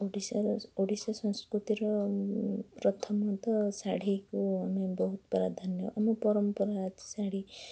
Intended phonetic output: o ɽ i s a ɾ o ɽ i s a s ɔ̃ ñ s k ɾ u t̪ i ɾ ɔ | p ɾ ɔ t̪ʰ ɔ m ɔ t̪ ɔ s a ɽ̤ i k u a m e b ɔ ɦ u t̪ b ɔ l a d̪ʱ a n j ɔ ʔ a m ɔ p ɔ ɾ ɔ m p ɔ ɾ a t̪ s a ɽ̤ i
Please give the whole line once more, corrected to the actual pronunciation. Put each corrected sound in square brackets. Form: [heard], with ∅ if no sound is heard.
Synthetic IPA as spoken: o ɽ i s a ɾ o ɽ i s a s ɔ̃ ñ s k ɾ u t̪ i ɾ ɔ | p ɾ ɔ t̪ʰ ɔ m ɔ t̪ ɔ s a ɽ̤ i k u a m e b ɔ ɦ u t̪ b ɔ [ɾ] a d̪ʱ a n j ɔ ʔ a m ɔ p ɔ ɾ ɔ m p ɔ ɾ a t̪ s a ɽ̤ i

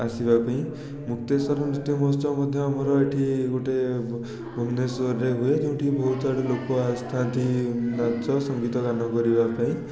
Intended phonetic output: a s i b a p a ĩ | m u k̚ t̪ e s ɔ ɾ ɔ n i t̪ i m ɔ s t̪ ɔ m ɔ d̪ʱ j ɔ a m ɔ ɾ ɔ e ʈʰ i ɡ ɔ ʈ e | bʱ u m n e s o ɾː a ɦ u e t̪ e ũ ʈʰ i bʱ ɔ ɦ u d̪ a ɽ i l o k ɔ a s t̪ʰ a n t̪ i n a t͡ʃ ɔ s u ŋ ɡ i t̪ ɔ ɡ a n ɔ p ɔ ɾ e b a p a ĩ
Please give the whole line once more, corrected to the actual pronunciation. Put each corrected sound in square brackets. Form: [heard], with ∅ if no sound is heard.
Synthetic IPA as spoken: a s i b a p a ĩ | m u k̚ t̪ e s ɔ ɾ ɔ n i t̪ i m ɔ s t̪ ɔ m ɔ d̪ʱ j ɔ a m ɔ ɾ ɔ e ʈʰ i ɡ [o] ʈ e | bʱ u m n e s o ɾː [e] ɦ u e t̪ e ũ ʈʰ i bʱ ɔ ɦ u [t̪] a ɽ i l o k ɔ a s t̪ʰ a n t̪ i n a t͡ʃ ɔ s [ɔ] ŋ ɡ i t̪ ɔ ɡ a n ɔ [k] ɔ ɾ [i] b a p a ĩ

